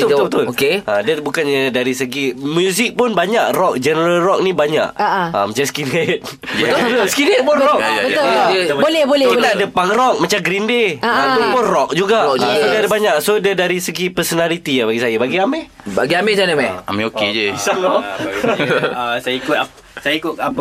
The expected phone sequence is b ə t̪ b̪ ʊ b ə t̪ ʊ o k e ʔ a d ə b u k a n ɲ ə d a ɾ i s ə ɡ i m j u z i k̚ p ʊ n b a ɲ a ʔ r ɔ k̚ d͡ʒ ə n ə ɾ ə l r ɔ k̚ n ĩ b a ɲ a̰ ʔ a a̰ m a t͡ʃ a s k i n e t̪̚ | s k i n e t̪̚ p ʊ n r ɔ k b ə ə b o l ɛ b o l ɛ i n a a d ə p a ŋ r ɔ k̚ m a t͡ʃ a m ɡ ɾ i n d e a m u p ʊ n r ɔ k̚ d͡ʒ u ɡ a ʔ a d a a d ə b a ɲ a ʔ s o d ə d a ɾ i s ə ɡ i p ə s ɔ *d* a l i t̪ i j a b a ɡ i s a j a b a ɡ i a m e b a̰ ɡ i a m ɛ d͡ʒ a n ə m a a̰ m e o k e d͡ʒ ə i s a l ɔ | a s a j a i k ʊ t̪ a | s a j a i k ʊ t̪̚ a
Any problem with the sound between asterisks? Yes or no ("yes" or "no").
yes